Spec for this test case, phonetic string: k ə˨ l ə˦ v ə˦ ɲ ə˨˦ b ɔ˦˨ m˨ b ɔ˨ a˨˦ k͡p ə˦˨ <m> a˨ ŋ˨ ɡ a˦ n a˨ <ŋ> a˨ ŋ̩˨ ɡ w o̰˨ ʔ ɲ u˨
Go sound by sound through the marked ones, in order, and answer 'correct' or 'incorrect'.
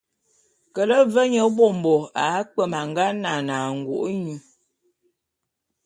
correct, incorrect: n

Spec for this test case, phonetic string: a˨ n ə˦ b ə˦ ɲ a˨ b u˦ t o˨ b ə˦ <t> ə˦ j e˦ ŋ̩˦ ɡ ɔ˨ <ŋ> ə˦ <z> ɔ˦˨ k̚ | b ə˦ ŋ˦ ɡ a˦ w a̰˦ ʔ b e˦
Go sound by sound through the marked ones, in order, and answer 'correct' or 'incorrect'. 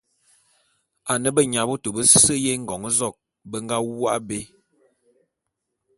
incorrect: s, correct, correct

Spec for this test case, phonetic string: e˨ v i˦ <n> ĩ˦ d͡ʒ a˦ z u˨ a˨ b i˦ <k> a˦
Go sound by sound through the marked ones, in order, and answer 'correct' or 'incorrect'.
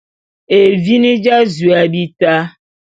correct, incorrect: t

